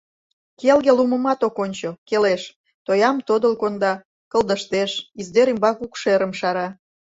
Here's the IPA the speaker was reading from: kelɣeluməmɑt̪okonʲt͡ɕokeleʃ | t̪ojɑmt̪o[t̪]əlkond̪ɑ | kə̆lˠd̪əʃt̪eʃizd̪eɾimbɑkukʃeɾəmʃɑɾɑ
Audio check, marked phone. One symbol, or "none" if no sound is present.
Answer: d̪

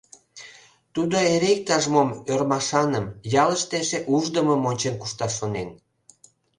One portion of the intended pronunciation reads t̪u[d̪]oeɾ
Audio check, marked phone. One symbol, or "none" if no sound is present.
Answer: d̪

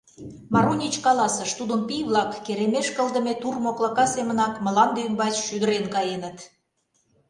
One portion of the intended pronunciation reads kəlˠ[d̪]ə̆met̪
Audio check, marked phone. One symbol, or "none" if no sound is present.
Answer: d̪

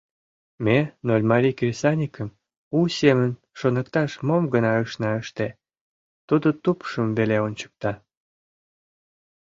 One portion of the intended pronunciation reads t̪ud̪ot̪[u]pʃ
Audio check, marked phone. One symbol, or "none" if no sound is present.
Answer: u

